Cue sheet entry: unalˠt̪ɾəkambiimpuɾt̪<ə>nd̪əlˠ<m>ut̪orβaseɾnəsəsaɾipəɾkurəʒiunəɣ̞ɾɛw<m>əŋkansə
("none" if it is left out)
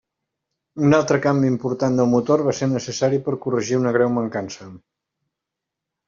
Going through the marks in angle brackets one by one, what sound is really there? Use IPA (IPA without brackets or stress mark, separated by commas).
a, m, m